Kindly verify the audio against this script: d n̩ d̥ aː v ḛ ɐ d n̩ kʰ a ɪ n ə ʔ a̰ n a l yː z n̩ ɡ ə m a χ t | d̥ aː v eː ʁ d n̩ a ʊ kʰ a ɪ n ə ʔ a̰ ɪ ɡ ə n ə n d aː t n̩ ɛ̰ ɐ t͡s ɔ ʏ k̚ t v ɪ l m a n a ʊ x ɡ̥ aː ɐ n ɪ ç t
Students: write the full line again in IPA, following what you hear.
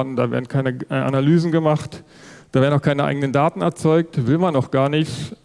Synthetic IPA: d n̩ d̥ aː v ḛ ɐ d n̩ kʰ a ɪ n ə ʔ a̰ n a l yː z n̩ ɡ ə m a χ t | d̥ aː v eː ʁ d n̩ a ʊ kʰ a ɪ n ə ʔ a̰ ɪ ɡ ə n ə n d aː t n̩ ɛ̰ ɐ t͡s ɔ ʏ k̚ t v ɪ l m a n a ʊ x ɡ̥ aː ɐ n ɪ ç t